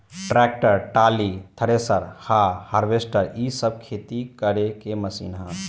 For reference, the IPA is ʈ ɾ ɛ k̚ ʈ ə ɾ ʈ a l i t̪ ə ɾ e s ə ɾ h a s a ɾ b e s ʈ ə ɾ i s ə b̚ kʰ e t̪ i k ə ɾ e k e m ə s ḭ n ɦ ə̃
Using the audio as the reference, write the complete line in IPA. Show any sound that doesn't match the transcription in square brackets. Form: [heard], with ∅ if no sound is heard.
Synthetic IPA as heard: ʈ ɾ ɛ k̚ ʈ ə ɾ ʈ a l i [t̪ʰ] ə ɾ e s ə ɾ h a [h] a ɾ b e s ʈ ə ɾ i s ə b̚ kʰ e t̪ i k ə ɾ e k e m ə s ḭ n ɦ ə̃